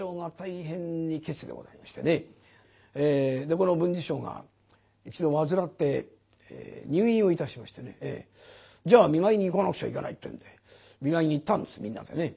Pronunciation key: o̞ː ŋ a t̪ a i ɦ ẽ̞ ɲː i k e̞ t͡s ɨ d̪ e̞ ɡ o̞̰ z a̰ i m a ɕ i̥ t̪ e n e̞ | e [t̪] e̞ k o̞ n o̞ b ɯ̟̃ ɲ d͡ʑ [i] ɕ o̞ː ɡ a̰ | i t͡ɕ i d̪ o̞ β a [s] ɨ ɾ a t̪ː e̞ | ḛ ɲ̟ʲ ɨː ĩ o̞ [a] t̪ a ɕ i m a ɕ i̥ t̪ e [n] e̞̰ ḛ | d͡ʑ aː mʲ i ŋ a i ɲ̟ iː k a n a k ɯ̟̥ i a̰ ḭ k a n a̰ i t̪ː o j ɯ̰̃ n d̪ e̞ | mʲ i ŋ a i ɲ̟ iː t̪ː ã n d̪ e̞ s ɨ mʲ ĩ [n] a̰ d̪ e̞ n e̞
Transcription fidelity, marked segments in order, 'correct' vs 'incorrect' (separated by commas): incorrect, correct, incorrect, incorrect, correct, incorrect